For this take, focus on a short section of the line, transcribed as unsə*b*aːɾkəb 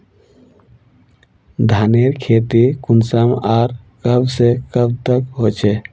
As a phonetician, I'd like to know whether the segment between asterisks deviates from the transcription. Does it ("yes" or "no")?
yes